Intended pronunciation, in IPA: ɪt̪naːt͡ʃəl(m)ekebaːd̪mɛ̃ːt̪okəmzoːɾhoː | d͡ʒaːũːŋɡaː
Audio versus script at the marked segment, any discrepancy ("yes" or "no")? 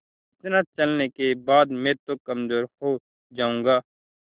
yes